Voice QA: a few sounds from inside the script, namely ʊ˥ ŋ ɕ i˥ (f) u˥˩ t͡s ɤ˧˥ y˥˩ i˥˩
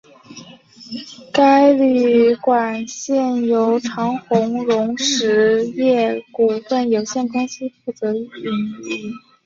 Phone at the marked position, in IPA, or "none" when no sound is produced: f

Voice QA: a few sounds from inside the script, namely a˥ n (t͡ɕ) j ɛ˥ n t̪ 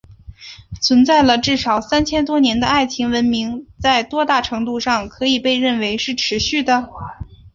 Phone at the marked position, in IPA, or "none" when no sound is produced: t͡ɕʰ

